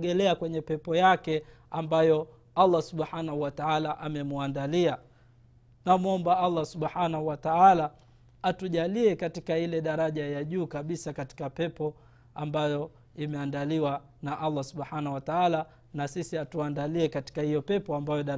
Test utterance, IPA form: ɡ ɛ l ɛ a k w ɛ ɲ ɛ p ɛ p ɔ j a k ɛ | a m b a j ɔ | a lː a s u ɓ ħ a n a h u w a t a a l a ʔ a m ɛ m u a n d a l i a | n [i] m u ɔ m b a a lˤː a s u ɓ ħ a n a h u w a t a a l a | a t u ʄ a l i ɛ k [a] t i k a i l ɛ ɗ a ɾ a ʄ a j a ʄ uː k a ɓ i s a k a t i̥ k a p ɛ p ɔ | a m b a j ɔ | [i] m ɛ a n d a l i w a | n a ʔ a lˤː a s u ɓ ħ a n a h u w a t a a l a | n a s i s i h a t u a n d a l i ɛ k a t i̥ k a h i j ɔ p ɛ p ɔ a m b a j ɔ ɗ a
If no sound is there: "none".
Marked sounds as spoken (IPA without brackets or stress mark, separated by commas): a, a, i